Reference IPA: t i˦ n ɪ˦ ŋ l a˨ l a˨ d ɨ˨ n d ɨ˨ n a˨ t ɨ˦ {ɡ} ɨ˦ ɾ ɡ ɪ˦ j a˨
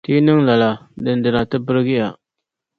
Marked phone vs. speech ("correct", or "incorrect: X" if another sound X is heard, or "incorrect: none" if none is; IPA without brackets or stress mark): incorrect: b